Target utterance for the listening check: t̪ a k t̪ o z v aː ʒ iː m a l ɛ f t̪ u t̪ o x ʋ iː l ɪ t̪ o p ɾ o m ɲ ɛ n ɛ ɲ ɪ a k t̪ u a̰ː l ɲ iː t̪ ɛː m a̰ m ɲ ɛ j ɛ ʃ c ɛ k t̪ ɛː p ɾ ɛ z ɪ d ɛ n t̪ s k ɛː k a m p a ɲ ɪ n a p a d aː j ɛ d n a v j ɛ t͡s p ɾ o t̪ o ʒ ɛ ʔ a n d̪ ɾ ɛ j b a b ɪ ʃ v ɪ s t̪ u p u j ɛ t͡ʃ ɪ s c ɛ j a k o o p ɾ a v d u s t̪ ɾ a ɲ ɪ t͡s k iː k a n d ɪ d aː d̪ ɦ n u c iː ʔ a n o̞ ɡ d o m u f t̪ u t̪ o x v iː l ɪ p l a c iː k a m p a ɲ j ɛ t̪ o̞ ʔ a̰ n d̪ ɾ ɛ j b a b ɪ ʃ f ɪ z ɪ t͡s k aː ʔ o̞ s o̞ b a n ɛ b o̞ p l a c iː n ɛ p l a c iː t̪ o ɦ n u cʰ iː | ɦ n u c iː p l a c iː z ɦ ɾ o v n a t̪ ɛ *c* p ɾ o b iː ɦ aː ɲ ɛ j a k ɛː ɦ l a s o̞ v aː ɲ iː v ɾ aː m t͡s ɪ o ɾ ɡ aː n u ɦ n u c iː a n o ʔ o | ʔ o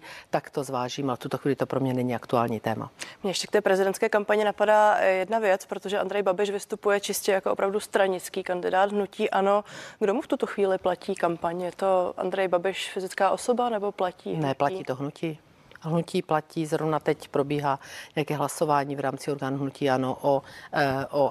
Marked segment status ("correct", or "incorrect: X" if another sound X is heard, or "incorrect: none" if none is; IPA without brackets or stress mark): correct